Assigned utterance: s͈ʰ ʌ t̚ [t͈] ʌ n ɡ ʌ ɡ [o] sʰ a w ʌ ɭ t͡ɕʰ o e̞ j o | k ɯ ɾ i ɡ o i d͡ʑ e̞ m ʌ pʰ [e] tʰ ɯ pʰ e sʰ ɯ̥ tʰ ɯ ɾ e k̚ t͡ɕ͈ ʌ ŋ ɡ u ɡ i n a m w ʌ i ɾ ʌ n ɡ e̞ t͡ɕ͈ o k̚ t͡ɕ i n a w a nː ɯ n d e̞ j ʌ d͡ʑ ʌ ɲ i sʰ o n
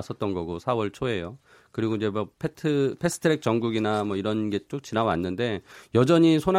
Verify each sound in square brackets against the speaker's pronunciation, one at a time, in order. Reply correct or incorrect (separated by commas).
correct, correct, correct